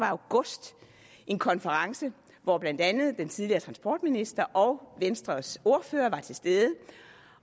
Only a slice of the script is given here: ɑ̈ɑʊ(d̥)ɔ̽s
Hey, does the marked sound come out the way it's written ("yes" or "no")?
no